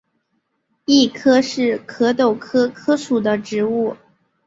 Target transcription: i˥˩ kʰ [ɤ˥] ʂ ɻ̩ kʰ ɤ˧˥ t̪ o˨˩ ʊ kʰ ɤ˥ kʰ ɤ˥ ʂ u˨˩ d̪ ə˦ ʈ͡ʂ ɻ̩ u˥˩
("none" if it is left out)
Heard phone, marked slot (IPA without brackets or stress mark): ɤ˥